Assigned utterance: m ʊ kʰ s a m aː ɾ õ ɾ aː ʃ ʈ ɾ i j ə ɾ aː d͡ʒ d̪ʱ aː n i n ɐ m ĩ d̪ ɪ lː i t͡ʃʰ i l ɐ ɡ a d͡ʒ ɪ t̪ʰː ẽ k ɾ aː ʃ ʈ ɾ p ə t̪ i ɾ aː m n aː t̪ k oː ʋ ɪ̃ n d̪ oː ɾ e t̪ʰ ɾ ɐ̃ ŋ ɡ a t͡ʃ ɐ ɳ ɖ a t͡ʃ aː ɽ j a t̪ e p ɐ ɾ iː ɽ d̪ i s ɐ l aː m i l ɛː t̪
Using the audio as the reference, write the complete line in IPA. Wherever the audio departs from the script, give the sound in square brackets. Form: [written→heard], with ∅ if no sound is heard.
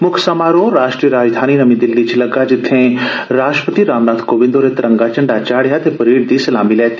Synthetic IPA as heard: m ʊ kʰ s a m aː ɾ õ ɾ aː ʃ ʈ ɾ i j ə ɾ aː d͡ʒ d̪ʱ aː n i n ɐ m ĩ d̪ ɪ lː i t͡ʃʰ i l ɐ ɡ a d͡ʒ ɪ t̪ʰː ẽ [k→∅] ɾ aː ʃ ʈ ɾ p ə t̪ i ɾ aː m n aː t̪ k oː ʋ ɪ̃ n d̪ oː ɾ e [t̪ʰ→t̪] ɾ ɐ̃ ŋ ɡ a t͡ʃ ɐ ɳ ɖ a t͡ʃ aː ɽ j a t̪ e p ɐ ɾ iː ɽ d̪ i s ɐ l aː m i l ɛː t̪